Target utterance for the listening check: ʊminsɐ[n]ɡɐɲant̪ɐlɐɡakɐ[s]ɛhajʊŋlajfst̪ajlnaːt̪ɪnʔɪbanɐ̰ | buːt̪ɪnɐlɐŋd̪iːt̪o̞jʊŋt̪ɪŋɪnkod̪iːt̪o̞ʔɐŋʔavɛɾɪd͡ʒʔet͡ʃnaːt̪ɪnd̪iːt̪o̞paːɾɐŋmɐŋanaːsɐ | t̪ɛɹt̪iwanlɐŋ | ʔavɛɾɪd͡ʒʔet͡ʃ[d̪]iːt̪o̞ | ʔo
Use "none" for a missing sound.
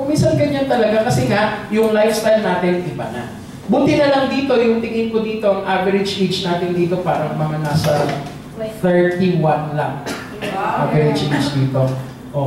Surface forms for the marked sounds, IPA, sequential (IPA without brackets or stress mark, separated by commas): n, s, d̪